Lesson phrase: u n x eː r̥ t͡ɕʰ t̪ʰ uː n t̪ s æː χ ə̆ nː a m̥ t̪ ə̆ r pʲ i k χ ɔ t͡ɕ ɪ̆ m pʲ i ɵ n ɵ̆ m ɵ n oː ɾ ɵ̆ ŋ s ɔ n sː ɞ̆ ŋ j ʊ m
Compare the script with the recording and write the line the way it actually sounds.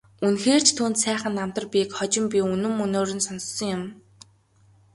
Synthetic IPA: u n x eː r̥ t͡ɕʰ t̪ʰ uː n t̪ s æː χ ə̆ nː a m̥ t̪ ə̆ r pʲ i k χ ɔ t͡ɕ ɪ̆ m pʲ i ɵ n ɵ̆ m ɵ n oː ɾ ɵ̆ n s ɔ n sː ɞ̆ ŋ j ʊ m

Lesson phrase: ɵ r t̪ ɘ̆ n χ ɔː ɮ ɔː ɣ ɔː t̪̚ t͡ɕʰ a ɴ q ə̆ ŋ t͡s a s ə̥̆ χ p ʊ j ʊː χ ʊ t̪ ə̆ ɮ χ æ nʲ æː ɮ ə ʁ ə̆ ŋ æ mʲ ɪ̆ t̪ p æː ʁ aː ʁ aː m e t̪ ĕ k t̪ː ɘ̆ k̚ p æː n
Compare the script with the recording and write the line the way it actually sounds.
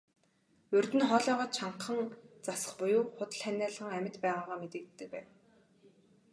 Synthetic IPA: ɵ r t̪ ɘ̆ n χ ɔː ɮ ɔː ʁ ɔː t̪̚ t͡ɕʰ a ɴ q ə̆ ŋ t͡s a s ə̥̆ χ p ʊ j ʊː χ ʊ t̪ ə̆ ɮ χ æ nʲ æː ɮ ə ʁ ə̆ ŋ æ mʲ ɪ̆ t̪ p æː ʁ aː ʁ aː m e t̪ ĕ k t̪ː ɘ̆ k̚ p æː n

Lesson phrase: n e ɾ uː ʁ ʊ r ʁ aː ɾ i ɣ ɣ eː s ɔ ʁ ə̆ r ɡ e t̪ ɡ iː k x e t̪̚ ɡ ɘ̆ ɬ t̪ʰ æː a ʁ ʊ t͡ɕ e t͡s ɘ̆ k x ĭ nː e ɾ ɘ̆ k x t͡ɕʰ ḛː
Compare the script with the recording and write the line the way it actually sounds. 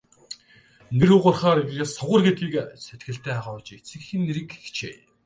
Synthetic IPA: n e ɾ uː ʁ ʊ r χ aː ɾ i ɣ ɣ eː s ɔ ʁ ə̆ r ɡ e t̪ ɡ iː k s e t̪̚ ɡ ɘ̆ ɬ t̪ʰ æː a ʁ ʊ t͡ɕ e t͡s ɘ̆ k x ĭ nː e ɾ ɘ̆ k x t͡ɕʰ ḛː

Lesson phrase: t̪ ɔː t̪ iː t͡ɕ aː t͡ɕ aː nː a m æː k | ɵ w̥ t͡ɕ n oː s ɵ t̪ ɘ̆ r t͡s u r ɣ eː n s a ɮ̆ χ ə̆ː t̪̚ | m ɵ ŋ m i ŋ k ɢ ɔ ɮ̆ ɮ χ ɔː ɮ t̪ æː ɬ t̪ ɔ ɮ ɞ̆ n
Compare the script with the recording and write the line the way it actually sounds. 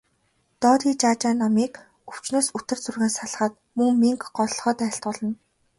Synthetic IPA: t̪ ɔː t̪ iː t͡ɕ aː t͡ɕ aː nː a m iː k | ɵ w̥ t͡ɕ n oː s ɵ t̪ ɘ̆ r t͡s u r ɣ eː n s a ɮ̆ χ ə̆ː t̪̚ | m ɵ ŋ m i ŋ k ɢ ɔ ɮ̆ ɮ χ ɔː t̪ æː ɬ t̪ ɔ ɮ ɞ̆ n

